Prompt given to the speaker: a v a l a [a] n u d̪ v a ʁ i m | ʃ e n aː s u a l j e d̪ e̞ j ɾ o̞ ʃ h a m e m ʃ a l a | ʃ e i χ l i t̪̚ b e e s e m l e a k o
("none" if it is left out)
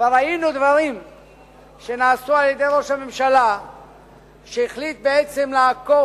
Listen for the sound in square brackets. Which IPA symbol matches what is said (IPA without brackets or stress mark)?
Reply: i